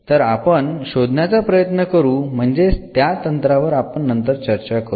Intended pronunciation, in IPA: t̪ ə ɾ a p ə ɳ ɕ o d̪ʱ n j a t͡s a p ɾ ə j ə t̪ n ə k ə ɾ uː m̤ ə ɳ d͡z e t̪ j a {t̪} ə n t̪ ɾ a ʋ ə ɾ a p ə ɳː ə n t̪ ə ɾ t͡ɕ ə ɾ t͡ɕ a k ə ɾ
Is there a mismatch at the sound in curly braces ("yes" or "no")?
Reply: no